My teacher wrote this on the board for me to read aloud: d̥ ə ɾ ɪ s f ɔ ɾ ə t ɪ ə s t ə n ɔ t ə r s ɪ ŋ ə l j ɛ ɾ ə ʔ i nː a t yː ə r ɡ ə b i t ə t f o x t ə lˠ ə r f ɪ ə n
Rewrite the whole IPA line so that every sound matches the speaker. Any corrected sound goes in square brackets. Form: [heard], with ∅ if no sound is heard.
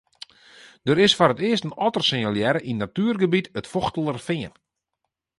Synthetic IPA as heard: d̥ ə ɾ ɪ s f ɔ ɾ ə t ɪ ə s t ə n ɔ t ə r s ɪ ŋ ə l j ɛ ɾ ə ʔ i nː a t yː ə r ɡ ə b i t ə t f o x t ə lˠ ə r f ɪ ə n